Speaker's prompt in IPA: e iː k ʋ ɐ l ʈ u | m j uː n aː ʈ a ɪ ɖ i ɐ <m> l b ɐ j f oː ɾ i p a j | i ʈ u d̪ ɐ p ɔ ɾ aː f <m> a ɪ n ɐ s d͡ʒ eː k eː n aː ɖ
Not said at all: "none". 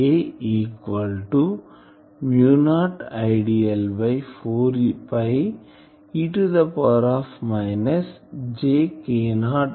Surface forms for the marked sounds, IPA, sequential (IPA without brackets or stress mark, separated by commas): none, m